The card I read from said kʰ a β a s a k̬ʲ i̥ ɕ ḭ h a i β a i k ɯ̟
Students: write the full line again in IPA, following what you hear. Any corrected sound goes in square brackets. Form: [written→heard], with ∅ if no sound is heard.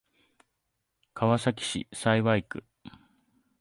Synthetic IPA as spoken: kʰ a β a s a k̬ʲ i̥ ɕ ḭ [h→s] a i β a i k ɯ̟